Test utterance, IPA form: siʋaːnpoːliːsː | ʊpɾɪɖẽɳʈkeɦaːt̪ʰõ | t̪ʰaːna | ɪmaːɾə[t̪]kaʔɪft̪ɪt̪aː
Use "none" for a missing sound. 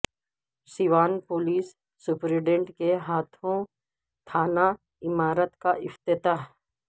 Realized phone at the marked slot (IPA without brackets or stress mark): t̪